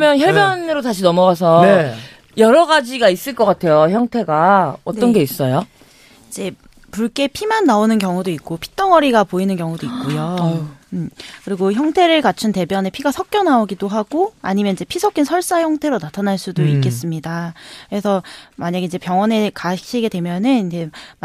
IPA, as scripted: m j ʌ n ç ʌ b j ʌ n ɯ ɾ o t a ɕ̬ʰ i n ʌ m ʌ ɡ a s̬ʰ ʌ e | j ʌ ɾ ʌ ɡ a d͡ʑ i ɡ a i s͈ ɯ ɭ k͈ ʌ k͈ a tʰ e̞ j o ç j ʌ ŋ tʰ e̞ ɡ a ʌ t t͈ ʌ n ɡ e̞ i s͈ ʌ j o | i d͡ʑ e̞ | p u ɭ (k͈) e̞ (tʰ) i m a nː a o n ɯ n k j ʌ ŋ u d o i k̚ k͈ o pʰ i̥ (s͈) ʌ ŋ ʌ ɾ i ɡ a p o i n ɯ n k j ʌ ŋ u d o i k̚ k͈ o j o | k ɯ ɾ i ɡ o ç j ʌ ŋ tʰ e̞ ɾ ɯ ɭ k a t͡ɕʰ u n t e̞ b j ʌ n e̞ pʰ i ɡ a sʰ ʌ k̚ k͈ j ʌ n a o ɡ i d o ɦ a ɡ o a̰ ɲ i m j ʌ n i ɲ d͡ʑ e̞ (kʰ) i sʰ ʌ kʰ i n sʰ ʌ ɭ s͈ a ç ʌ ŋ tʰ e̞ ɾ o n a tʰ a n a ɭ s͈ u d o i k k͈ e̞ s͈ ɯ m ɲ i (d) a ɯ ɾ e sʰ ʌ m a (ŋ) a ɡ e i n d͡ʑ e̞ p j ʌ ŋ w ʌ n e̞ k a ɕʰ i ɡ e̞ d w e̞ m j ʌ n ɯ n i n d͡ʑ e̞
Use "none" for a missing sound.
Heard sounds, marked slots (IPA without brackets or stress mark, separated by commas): k͈, pʰ, t͈, pʰ, d, ɲ